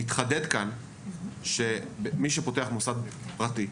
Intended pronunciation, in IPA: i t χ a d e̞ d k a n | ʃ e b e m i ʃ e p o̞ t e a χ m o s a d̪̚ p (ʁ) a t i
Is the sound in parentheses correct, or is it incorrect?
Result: correct